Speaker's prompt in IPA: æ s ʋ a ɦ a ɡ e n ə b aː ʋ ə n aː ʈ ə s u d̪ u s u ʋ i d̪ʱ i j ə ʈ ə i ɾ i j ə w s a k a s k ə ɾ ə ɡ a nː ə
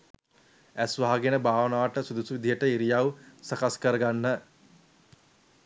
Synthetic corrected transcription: æ s ʋ a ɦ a ɡ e n ə b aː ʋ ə n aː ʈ ə s u d̪ u s u ʋ i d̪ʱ i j ə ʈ ə i ɾ i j a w s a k a s k ə ɾ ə ɡ a nː ə